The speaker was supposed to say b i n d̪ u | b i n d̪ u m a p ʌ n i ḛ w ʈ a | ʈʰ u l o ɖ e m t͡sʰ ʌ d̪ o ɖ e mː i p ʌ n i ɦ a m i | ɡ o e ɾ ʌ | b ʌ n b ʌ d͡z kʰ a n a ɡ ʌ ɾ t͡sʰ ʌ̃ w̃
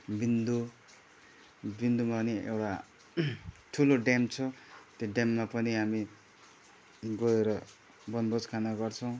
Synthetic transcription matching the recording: b i n d̪ u | b i n d̪ u m a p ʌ n i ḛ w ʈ a | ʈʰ u l o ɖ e m t͡sʰ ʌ t̪ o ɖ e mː a p ʌ n i ɦ a m i | ɡ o e ɾ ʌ | b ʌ n b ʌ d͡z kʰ a n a ɡ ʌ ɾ t͡sʰ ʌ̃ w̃